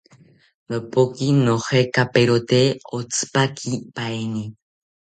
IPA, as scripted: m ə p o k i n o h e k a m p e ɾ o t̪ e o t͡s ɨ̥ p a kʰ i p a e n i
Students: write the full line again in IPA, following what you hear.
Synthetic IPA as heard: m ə p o k i n o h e k a p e ɾ o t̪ e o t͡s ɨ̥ p a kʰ i p a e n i